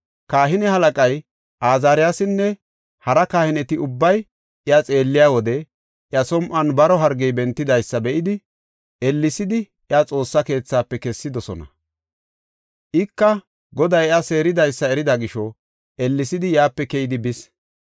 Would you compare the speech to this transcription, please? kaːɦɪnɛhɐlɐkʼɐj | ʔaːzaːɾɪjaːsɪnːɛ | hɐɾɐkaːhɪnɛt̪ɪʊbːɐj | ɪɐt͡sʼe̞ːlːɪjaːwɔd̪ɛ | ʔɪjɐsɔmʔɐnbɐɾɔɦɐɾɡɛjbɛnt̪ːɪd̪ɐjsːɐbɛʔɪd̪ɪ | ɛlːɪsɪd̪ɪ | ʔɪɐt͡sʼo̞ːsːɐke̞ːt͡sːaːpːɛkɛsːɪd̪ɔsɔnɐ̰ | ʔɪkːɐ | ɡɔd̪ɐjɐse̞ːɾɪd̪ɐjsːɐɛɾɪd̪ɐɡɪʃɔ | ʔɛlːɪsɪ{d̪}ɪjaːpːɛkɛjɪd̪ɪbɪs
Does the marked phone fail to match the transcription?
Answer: no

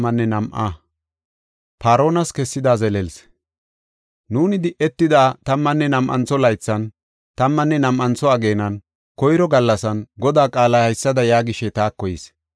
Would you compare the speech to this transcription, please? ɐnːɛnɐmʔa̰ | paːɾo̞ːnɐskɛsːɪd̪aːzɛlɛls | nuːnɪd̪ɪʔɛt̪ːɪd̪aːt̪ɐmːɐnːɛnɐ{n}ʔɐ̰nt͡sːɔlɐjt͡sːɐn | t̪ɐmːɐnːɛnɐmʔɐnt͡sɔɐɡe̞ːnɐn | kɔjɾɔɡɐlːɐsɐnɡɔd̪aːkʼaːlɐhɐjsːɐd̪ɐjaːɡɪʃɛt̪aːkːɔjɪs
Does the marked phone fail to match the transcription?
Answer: yes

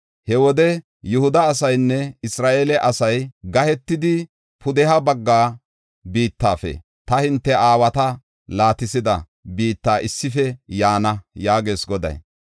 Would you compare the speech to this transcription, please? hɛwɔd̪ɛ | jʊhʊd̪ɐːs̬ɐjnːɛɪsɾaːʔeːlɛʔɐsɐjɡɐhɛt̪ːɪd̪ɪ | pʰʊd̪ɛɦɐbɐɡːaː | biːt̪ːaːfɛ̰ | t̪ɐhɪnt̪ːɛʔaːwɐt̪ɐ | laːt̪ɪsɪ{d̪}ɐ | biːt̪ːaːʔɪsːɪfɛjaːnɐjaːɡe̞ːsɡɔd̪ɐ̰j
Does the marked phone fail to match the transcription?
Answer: no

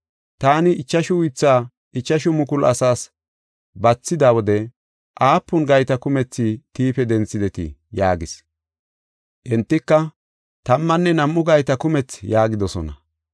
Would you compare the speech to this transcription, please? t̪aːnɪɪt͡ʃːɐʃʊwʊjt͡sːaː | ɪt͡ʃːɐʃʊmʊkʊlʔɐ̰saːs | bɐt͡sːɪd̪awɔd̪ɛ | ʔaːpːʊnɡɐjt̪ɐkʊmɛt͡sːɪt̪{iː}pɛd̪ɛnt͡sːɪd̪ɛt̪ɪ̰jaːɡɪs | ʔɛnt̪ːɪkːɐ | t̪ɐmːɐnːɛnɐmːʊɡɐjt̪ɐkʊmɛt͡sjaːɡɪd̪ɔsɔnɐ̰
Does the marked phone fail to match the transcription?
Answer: no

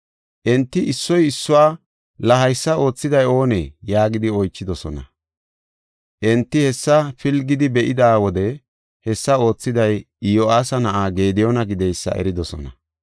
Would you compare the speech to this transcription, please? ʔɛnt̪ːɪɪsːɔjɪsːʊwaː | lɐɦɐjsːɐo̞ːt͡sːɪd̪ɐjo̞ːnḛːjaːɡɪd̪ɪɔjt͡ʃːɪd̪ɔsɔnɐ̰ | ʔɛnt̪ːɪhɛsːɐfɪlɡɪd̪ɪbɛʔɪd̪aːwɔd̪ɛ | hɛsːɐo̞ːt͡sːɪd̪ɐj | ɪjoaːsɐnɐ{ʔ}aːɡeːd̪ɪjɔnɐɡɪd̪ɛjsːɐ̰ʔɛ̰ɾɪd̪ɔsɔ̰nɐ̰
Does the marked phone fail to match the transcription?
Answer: no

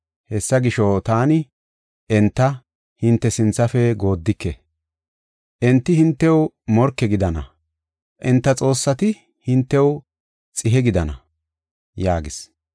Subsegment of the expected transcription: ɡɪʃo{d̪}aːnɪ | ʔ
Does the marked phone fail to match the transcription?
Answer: yes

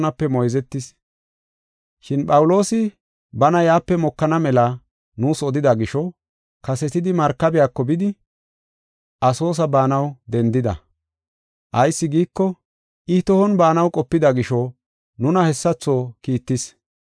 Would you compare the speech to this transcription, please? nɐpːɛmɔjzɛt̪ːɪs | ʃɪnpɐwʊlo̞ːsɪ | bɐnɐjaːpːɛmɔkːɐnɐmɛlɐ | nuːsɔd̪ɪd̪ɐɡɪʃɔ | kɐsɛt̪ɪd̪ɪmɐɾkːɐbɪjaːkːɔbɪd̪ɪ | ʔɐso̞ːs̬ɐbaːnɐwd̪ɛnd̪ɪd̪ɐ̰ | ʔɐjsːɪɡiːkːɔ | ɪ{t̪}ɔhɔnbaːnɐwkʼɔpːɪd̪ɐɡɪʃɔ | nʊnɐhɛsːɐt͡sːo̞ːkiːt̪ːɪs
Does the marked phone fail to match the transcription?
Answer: no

